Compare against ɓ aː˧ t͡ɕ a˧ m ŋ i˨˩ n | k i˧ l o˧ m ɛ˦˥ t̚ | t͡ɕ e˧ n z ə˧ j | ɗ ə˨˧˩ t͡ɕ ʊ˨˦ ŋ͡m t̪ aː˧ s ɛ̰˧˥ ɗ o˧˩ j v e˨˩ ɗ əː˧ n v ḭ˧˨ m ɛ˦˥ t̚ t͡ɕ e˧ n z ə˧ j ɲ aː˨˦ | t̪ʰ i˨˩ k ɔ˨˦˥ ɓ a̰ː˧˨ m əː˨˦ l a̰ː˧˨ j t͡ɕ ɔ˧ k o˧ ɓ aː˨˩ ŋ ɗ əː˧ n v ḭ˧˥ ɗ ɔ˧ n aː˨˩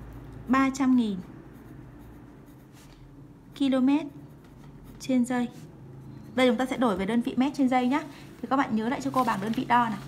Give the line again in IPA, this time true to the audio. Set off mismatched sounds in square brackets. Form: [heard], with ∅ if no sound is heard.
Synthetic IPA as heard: ɓ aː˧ t͡ɕ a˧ m ŋ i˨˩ n | k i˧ l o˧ m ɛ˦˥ t̚ | t͡ɕ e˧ n z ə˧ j | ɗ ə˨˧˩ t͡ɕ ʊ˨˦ ŋ͡m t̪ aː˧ s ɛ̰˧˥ ɗ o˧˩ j v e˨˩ ɗ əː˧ n v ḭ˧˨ m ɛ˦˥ t̚ t͡ɕ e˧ n z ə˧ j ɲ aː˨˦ | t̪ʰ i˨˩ k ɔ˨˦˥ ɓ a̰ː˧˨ [ɲ] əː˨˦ l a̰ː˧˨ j t͡ɕ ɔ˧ k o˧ ɓ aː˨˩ ŋ ɗ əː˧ n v [ḭ˧˨] ɗ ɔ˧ n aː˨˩

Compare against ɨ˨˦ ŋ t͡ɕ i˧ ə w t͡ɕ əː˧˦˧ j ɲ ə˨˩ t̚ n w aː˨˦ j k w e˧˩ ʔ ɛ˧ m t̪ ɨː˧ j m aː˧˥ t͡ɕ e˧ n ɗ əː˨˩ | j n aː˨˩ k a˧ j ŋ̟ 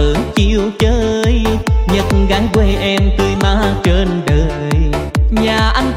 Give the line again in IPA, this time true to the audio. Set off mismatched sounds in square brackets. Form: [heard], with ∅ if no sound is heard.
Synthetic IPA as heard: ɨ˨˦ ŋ t͡ɕ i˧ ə w t͡ɕ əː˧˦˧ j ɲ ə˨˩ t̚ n [ɣ] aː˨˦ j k w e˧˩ ʔ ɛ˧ m t̪ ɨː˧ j m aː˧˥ t͡ɕ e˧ n ɗ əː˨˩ | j [ɲ] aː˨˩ [ʔ] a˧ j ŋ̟

